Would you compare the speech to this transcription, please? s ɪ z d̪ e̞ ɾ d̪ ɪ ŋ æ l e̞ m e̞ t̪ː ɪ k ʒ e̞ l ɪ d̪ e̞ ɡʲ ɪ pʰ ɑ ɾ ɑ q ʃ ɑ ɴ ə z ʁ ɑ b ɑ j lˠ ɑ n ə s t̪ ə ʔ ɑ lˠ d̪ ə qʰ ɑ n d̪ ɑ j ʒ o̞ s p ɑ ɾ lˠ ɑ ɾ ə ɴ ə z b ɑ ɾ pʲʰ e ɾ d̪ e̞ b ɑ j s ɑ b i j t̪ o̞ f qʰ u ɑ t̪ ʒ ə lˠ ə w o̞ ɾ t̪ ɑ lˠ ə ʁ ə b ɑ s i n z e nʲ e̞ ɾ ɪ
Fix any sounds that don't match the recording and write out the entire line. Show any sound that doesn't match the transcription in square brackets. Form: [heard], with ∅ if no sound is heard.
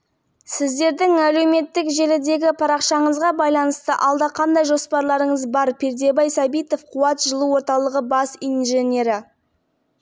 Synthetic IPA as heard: s ɪ z d̪ e̞ ɾ d̪ ɪ ŋ æ l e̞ m e̞ t̪ː ɪ k ʒ e̞ l ɪ d̪ e̞ ɡʲ ɪ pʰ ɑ ɾ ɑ q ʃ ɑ ɴ ə z ʁ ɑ b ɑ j lˠ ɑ n ə s t̪ ə ʔ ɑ lˠ d̪ [ɑ] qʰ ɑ n d̪ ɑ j ʒ o̞ s p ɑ ɾ lˠ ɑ ɾ ə ɴ ə z b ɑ ɾ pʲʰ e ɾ d̪ e̞ b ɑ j s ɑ b i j t̪ o̞ f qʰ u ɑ t̪ ʒ ə lˠ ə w o̞ ɾ t̪ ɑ lˠ ə ʁ ə b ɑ s i n [ʒ] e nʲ e̞ ɾ ɪ